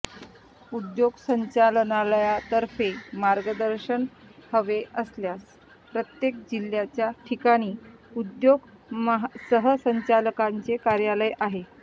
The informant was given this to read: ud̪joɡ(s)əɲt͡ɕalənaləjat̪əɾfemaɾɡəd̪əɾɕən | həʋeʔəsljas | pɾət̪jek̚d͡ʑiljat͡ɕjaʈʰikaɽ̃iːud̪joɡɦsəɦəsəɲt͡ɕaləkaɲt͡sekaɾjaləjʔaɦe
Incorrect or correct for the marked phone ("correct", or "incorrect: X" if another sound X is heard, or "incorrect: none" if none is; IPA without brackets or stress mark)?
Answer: correct